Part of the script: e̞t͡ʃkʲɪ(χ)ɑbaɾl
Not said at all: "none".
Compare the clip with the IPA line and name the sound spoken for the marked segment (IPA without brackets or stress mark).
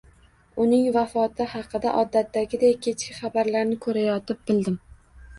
χ